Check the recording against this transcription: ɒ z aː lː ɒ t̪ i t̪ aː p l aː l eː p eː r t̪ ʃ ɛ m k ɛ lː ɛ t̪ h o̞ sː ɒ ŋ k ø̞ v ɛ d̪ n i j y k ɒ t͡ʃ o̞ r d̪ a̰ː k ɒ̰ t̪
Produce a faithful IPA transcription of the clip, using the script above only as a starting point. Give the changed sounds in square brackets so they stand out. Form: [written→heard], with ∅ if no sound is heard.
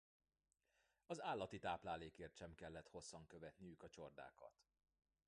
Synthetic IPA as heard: ɒ z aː lː ɒ t̪ i t̪ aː p l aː l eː [p→k] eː r t̪ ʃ ɛ m k ɛ lː ɛ t̪ h o̞ sː ɒ ŋ k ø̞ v ɛ [d̪→t̪] n i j y k ɒ t͡ʃ o̞ r d̪ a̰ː k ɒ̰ t̪